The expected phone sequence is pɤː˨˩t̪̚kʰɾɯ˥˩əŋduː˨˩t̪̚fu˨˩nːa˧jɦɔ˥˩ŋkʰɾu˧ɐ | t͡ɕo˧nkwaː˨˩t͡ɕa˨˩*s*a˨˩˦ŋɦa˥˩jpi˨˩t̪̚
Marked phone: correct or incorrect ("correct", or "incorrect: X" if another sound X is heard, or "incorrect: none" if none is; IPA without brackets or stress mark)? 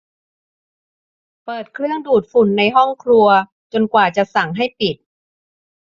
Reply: correct